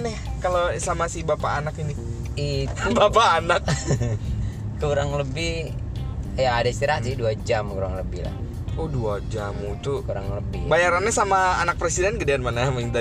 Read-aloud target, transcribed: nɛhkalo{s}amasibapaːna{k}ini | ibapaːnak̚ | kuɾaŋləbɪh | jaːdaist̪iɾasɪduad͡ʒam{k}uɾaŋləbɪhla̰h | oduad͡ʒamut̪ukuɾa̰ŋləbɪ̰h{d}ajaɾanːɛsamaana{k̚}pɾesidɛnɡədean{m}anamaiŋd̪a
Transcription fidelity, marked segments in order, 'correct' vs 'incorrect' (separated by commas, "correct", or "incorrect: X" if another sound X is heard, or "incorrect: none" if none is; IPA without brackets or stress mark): correct, correct, correct, incorrect: b, correct, correct